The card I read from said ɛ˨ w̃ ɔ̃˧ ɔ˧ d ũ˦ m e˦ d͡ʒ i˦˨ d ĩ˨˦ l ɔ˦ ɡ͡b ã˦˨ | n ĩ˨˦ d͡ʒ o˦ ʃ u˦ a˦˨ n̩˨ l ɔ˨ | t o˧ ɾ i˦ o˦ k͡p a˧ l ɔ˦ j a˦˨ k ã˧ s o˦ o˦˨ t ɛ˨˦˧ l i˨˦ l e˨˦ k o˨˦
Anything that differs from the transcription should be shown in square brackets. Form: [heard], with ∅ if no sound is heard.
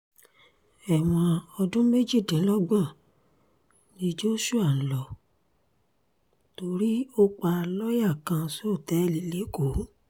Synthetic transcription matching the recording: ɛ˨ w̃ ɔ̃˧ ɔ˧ d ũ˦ m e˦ d͡ʒ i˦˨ d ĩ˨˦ l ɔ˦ ɡ͡b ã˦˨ | n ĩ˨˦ d͡ʒ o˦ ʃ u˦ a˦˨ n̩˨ l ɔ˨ | t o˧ ɾ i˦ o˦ k͡p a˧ l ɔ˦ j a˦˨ k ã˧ s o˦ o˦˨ t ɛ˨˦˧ l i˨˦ l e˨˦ k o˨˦